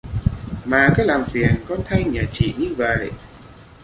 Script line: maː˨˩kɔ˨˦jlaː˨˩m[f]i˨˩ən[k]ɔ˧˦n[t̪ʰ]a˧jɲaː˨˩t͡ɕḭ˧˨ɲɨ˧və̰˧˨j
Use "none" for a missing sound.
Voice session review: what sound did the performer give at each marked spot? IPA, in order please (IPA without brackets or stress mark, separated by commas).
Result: f, k, t̪ʰ